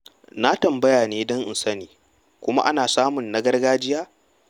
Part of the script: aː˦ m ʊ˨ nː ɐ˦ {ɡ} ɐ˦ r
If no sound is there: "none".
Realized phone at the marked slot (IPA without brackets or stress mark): ɡ